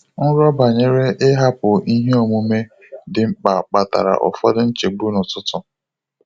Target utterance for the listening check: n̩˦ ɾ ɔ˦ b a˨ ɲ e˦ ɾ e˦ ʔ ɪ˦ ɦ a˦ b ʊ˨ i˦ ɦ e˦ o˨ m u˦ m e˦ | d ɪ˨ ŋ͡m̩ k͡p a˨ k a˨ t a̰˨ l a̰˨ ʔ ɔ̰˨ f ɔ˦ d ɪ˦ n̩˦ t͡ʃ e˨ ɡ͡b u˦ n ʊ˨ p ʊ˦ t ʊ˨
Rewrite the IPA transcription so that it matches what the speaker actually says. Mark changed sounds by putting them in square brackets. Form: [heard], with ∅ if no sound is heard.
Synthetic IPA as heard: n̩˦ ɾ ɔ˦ b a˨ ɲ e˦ ɾ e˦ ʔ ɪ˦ ɦ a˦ [p] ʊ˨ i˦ ɦ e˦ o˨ m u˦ m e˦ | d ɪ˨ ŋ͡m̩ k͡p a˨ [k͡p] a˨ t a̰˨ [ɾ] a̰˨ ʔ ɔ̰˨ f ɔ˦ d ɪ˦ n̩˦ t͡ʃ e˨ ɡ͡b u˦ n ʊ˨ [t] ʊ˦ t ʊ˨

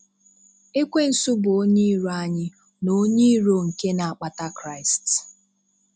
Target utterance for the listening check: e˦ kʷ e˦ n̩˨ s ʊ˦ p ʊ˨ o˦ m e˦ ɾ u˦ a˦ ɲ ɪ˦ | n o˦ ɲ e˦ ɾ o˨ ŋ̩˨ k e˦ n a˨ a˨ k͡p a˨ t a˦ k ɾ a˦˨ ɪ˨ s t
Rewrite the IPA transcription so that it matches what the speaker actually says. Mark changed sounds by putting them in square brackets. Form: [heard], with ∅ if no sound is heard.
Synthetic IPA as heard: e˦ kʷ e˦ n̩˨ s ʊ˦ [b] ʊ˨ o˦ [ɲ] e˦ ɾ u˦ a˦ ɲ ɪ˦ | n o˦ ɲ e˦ ɾ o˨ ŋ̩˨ k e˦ n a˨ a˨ k͡p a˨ t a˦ k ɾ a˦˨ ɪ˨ s t

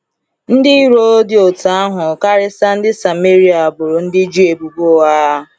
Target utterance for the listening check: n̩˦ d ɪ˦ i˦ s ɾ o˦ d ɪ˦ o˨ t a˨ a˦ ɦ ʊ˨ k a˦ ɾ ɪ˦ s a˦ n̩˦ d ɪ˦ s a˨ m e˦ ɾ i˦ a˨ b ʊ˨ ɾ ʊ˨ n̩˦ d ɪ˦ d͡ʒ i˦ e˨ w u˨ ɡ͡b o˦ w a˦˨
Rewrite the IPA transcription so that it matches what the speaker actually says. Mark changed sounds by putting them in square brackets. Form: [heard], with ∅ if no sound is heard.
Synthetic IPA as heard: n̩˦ d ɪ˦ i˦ [∅] ɾ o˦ d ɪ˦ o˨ t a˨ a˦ ɦ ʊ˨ k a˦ ɾ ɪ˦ s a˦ n̩˦ d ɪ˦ s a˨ m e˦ ɾ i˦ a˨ b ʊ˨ ɾ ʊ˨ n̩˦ d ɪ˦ d͡ʒ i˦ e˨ [b] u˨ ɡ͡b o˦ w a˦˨

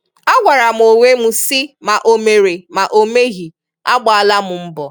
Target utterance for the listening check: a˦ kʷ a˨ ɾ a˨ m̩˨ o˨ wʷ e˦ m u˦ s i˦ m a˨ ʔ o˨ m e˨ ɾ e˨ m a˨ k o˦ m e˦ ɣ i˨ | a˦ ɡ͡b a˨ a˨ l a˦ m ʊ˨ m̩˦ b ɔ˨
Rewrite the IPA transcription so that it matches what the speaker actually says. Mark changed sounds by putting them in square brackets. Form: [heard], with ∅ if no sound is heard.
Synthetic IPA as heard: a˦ [ɡʷ] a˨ ɾ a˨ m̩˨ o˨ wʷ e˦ m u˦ s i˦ m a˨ ʔ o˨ m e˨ ɾ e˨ m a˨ [ʔ] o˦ m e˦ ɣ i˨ | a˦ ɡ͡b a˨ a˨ l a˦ m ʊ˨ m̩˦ b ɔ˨

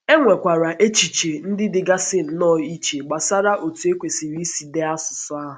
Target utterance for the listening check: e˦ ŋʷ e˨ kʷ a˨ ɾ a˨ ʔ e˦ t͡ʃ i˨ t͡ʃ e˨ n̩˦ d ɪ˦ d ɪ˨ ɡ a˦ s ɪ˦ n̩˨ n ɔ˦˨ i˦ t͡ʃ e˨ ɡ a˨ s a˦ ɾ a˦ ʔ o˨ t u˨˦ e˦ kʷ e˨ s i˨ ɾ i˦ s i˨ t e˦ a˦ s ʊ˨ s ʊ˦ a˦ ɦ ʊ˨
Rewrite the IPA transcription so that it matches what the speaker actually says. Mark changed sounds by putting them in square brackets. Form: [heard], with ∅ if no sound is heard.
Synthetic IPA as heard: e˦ ŋʷ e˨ kʷ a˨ ɾ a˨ ʔ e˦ t͡ʃ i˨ t͡ʃ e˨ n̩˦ d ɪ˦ d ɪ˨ ɡ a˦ s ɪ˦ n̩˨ n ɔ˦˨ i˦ t͡ʃ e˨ [ɡ͡b] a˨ s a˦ ɾ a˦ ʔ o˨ t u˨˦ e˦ kʷ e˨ s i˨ ɾ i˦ s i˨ [d] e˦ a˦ s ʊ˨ s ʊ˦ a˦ ɦ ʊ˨

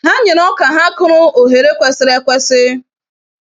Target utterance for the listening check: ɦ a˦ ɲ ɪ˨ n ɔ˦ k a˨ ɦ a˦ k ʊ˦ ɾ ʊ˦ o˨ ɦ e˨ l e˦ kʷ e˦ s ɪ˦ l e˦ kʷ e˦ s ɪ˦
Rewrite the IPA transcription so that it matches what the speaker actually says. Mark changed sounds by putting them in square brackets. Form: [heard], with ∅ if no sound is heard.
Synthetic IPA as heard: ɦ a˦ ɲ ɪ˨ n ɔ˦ k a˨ ɦ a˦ k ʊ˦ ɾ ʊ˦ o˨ ɦ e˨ [ɾ] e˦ kʷ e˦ s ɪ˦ [ɾ] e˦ kʷ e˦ s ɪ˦

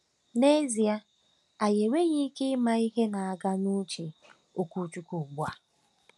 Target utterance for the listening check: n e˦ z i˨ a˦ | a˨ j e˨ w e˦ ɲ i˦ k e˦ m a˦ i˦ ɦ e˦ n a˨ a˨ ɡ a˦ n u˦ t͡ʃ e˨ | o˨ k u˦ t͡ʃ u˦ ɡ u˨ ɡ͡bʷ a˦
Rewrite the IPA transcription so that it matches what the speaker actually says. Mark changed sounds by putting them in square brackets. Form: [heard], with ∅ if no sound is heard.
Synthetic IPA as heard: n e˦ z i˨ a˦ | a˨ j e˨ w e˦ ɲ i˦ k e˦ m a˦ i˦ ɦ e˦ n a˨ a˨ ɡ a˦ n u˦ t͡ʃ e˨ | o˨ k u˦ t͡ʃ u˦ [k] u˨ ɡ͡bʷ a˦

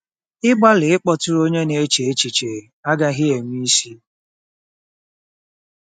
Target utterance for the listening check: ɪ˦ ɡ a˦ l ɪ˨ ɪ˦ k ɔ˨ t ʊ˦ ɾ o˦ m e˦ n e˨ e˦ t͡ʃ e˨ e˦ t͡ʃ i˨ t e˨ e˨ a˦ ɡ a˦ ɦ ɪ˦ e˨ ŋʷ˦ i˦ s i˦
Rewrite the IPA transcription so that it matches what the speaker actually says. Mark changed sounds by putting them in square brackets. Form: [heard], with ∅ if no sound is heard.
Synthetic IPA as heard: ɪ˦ [ɡ͡b] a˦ l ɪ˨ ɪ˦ [k͡p] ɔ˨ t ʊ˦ ɾ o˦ [ɲ] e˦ n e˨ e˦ t͡ʃ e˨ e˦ t͡ʃ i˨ [t͡ʃ] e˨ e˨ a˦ ɡ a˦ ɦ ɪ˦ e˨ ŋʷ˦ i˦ s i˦

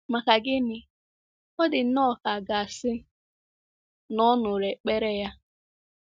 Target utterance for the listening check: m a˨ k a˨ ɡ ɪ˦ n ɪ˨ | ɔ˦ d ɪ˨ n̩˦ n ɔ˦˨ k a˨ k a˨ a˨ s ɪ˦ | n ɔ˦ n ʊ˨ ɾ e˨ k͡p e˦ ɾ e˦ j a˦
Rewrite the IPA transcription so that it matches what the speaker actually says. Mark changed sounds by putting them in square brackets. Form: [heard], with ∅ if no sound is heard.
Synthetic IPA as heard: m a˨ k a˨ ɡ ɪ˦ n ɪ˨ | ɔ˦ d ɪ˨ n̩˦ n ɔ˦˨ k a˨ [ɡ] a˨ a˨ s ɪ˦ | n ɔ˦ n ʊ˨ ɾ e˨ k͡p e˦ ɾ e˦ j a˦

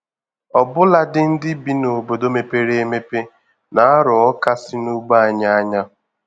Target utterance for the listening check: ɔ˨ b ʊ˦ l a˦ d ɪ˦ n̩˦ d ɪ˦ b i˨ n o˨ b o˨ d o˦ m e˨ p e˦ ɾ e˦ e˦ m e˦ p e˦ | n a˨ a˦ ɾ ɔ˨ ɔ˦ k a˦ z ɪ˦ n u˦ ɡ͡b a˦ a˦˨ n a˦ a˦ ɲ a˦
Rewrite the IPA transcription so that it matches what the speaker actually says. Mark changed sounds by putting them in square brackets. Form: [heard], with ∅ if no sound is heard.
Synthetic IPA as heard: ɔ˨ b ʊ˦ l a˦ d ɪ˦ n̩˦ d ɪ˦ b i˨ n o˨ b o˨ d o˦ m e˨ p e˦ ɾ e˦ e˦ m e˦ p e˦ | n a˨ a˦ ɾ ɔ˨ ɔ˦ k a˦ [s] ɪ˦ n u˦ ɡ͡b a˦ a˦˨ [ɲ] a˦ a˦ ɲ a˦

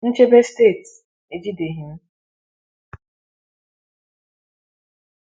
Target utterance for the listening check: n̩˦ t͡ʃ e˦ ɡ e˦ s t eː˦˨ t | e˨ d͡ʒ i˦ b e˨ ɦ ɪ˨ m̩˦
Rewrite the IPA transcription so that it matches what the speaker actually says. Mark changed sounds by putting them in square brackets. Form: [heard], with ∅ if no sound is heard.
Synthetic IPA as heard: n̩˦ t͡ʃ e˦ [b] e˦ s t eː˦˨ t | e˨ d͡ʒ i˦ [d] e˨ ɦ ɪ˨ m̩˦

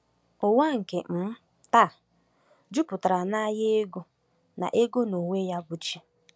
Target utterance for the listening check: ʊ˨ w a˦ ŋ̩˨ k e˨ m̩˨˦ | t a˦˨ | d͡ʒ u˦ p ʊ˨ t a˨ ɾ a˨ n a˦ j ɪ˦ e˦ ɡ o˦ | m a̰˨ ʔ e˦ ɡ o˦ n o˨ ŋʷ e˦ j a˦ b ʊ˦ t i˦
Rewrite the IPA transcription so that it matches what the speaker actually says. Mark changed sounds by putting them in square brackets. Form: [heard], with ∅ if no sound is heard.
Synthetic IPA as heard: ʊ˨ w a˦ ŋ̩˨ k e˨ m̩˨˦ | t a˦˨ | d͡ʒ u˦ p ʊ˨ t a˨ ɾ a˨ n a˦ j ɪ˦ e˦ ɡ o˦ | [n] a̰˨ ʔ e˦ ɡ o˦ n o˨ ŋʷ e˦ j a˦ b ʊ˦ [t͡ʃ] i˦

